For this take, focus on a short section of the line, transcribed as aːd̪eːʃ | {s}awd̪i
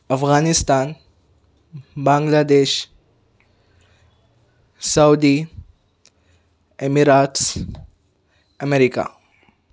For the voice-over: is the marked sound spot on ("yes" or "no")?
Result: yes